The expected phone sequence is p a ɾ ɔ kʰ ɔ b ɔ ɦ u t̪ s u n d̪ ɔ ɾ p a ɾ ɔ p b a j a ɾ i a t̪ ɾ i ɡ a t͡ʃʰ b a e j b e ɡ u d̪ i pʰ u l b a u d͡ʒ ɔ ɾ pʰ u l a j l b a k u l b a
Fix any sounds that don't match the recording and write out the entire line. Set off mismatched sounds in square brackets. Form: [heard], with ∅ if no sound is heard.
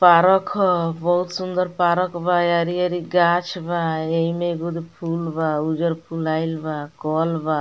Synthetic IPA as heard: p a ɾ ɔ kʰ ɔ b ɔ ɦ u t̪ s u n d̪ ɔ ɾ p a ɾ ɔ [k] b a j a ɾ i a [∅] ɾ i ɡ a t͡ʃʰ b a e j [m] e ɡ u d̪ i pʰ u l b a u d͡ʒ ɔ ɾ pʰ u l a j l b a k [ɔ] l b a